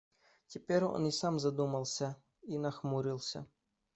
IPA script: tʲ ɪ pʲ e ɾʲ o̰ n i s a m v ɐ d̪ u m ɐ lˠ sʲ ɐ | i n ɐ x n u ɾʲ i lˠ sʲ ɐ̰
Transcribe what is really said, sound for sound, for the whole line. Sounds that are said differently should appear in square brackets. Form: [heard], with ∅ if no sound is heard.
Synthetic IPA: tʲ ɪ pʲ e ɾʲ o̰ n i s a m [z] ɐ d̪ u m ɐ lˠ sʲ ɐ | i n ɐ x [m] u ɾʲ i lˠ sʲ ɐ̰